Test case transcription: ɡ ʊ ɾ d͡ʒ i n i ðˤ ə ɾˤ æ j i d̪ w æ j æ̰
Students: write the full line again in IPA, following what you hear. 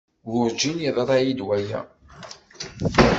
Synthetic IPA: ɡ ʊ ɾ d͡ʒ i n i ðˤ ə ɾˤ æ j i d̪ w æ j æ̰